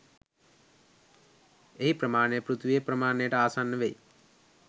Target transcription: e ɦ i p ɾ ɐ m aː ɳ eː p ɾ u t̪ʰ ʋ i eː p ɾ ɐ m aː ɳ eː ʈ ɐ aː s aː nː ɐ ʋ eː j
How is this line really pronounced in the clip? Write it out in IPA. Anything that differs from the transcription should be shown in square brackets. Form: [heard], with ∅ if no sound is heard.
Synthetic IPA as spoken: e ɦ i p ɾ ɐ m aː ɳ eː p ɾ u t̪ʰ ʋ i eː p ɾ ɐ m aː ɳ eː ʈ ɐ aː s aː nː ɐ ʋ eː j